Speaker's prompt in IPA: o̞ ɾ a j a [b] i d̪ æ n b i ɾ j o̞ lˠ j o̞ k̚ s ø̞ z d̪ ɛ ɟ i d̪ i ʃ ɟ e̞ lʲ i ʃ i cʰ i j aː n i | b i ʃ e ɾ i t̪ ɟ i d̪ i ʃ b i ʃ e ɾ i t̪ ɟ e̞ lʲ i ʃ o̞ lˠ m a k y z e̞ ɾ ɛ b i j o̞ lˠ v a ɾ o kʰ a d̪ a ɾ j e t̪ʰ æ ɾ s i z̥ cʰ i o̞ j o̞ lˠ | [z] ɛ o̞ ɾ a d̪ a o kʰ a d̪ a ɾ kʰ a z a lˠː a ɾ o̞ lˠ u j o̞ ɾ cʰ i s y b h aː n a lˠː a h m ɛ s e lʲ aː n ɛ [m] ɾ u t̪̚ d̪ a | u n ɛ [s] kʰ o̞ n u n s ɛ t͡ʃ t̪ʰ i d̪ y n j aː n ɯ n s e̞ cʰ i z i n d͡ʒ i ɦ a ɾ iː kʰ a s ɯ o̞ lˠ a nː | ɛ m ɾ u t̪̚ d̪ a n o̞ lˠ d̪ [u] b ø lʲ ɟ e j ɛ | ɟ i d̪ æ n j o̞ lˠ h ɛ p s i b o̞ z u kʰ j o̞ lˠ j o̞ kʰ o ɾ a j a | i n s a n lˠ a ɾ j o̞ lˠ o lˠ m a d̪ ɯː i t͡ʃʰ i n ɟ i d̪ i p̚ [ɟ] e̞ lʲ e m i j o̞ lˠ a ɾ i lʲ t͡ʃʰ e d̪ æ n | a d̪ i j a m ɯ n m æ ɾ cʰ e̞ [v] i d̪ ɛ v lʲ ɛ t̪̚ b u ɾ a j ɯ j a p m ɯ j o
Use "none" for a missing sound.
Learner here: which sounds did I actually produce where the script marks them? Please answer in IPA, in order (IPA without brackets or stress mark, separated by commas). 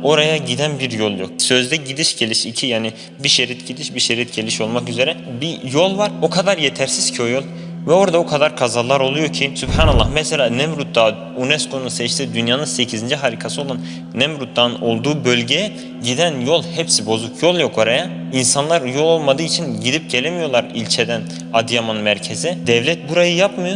ɟ, v, m, s, uː, ɟ, z